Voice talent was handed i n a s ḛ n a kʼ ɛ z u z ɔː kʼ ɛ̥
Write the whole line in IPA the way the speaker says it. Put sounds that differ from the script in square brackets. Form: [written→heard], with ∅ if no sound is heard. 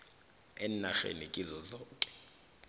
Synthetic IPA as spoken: [i→ɛ] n a [s→x] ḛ n [a→i] kʼ [ɛ→i] z [u→ɔ] z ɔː kʼ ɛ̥